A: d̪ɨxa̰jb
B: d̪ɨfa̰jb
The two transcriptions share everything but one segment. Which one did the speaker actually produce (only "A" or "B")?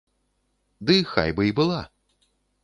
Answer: A